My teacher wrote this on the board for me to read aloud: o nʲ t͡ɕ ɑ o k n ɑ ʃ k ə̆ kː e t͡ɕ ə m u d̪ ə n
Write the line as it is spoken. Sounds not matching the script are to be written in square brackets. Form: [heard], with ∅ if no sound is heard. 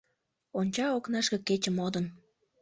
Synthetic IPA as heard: o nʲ t͡ɕ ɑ o k n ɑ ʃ k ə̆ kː e t͡ɕ ə m [o] d̪ ə n